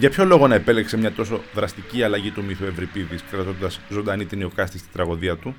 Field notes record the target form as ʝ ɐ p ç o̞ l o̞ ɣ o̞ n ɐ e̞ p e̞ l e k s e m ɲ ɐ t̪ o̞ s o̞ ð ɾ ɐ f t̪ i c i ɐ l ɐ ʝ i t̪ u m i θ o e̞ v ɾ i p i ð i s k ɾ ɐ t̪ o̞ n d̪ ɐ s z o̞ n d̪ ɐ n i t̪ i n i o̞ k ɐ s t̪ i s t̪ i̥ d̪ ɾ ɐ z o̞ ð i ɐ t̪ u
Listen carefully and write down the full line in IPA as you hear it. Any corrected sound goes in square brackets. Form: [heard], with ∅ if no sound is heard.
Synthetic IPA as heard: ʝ ɐ p ç o̞ l o̞ ɣ o̞ n ɐ e̞ p e̞ l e k s e m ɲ ɐ t̪ o̞ s o̞ ð ɾ ɐ [s] t̪ i c i ɐ l ɐ ʝ i t̪ u m i θ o e̞ v ɾ i p i ð i s k ɾ ɐ t̪ o̞ n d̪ ɐ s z o̞ n d̪ ɐ n i t̪ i n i o̞ k ɐ s t̪ i s t̪ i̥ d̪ ɾ ɐ [ɣ] o̞ ð i ɐ t̪ u